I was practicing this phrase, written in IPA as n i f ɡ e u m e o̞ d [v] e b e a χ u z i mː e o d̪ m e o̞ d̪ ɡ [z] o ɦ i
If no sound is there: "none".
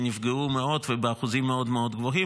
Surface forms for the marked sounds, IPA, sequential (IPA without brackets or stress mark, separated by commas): v, v